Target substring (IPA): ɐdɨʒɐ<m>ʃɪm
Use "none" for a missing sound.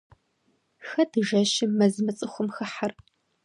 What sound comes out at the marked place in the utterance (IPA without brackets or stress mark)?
none